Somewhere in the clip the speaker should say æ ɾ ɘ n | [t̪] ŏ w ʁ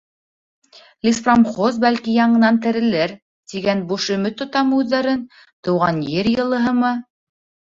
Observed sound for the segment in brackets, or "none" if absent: t̪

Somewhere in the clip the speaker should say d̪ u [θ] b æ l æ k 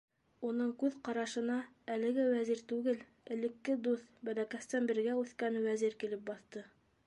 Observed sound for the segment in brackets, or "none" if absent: θ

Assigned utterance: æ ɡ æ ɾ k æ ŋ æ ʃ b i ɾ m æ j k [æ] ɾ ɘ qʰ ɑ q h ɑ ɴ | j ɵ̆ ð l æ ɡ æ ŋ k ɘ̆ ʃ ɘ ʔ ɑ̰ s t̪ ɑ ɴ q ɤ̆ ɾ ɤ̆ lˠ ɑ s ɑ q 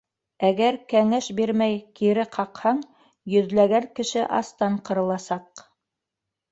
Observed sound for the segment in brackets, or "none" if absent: i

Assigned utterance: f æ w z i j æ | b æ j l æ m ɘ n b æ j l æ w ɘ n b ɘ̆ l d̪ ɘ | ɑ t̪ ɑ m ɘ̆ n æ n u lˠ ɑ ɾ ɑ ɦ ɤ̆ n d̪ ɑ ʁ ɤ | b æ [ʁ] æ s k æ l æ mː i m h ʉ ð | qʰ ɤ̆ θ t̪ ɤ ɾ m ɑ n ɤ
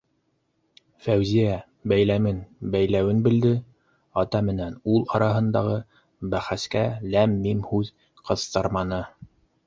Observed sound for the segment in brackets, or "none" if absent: χ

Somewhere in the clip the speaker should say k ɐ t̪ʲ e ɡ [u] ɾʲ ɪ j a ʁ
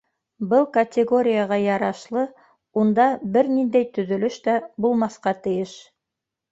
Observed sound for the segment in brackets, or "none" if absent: o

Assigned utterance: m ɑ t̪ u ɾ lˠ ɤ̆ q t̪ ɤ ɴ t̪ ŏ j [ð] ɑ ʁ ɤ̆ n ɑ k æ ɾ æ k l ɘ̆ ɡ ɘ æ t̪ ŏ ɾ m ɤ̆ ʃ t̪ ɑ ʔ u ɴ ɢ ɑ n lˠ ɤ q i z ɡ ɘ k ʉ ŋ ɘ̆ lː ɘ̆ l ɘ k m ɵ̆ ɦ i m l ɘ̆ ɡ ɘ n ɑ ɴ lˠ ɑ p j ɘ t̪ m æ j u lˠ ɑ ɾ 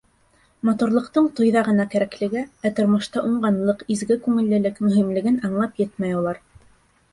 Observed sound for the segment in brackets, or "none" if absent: ð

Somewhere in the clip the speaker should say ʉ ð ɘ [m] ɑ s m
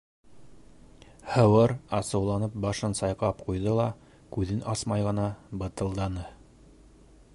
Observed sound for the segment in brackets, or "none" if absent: n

